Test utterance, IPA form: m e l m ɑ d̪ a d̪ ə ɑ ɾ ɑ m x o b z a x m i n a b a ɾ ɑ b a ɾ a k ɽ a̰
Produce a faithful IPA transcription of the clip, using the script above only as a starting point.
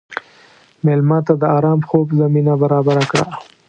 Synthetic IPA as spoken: m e l m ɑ t̪ a d̪ ə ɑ ɾ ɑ m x o b z a m i n a b a ɾ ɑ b a ɾ a k ɽ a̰

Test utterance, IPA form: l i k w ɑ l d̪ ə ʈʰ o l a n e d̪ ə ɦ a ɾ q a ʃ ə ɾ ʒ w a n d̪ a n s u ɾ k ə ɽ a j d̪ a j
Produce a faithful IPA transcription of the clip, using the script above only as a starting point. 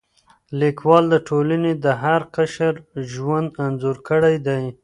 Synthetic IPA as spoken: l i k w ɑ l d̪ ə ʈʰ o l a n e d̪ ə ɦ a ɾ q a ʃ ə ɾ ʒ w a n d̪ a n z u ɾ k ə ɽ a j d̪ a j

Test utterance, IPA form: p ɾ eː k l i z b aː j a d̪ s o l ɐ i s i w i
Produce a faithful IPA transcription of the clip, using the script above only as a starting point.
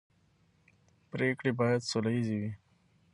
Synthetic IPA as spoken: p ɾ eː k ɽ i b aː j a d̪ s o l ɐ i z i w i

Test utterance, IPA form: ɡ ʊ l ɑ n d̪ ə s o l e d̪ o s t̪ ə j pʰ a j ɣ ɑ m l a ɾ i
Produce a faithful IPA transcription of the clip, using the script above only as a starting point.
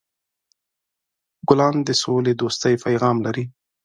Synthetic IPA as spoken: ɡ ʊ l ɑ n d̪ ə s o l e d̪ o s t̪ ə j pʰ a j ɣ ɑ m l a ɾ i

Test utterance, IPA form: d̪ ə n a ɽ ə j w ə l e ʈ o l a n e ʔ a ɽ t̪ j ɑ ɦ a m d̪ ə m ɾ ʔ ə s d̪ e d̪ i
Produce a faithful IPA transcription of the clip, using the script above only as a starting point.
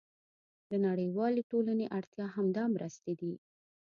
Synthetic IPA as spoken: d̪ ə n a ɽ ə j w ɑ l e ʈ o l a n e ʔ a ɽ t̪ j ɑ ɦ a m d̪ ɑ m ɾ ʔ ə s t̪ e d̪ i

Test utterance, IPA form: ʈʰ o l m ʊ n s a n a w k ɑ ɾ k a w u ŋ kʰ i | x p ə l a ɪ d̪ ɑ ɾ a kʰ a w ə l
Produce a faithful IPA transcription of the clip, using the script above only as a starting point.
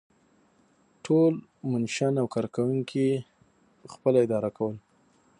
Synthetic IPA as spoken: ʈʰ o l m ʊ n ʃ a n a w k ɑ ɾ k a w u ŋ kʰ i | x p ə l a ɪ d̪ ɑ ɾ a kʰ a w ə l

